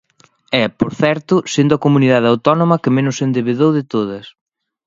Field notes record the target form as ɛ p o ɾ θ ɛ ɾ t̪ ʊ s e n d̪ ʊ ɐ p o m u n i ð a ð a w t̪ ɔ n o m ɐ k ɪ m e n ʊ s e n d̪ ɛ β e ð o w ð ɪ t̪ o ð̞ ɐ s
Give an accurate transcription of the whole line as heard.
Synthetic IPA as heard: ɛ p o ɾ θ ɛ ɾ t̪ ʊ s e n d̪ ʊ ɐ k o m u n i ð a ð a w t̪ ɔ n o m ɐ k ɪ m e n ʊ s e n d̪ e β e ð o w ð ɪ t̪ o ð̞ ɐ s

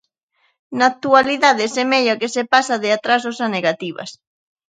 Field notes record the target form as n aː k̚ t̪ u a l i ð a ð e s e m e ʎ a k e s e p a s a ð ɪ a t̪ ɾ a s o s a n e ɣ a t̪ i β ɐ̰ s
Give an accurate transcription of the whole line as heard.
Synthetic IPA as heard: n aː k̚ t̪ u a l i ð a ð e s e m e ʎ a k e s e p a s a ð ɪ a t̪ ɾ a s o s a n e ɣ a t̪ i β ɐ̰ s

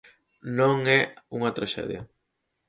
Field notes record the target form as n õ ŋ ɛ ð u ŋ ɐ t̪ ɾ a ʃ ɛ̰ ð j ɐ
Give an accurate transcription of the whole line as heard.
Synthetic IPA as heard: n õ ŋ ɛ u ŋ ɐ t̪ ɾ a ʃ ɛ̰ ð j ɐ

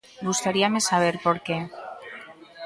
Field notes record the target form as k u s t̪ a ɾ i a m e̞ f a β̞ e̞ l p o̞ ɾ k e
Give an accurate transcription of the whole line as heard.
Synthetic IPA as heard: ɡ u s t̪ a ɾ i a m e̞ s a β̞ e̞ ɾ p o̞ ɾ k e

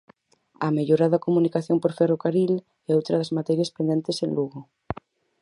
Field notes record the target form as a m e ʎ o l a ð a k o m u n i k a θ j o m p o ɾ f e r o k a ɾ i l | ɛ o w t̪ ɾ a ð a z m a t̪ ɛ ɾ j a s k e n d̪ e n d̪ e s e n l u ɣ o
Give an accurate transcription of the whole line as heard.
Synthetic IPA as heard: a m e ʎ o ɾ a ð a k o m u n i k a θ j o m p o ɾ f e r o k a ɾ i l | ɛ o w t̪ ɾ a ð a z m a t̪ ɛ ɾ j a s p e n d̪ e n t̪ e s e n l u ɣ o

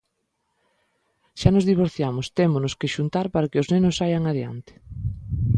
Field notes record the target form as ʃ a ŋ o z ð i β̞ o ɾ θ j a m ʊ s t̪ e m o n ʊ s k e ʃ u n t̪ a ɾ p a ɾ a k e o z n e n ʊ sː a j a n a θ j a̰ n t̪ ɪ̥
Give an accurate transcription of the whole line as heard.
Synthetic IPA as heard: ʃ a n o z ð i β̞ o ɾ θ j a m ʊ s t̪ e m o n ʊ s k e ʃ u n t̪ a ɾ p a ɾ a k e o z n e n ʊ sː a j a ŋ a ð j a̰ n t̪ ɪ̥

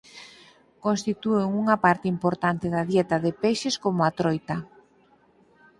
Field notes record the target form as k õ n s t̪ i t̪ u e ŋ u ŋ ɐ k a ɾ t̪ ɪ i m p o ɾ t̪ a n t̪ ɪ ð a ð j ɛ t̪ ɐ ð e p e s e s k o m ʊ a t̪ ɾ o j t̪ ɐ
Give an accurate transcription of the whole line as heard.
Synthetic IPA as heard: k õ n s t̪ i t̪ u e ŋ u ŋ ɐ p a ɾ t̪ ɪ i m p o ɾ t̪ a n t̪ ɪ ð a ð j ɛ t̪ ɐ ð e p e ʃ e s k o m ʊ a t̪ ɾ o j t̪ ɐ

